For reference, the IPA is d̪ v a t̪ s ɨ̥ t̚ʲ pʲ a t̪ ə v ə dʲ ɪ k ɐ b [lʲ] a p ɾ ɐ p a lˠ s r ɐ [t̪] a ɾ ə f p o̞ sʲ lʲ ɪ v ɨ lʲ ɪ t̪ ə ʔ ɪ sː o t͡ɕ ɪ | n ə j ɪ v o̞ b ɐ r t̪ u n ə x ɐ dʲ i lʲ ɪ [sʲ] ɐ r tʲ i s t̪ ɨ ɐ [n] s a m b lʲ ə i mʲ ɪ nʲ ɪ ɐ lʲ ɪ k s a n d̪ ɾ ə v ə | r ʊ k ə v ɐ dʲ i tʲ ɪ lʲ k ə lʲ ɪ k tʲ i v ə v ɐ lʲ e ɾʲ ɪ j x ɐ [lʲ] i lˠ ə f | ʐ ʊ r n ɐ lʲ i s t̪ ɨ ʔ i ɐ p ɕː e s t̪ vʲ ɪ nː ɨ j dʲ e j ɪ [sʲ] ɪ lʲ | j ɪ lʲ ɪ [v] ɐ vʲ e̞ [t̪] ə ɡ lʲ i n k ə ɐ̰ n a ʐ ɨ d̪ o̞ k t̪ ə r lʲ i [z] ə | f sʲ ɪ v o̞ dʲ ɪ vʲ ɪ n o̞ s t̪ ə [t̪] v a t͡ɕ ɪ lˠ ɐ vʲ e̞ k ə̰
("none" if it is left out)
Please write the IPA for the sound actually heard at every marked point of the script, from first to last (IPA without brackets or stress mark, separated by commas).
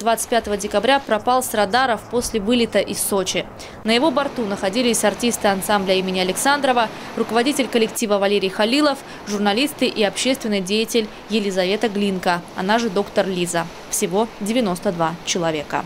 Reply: ɾʲ, d̪, sʲ, n, lʲ, tʲ, z, t̪, z, d̪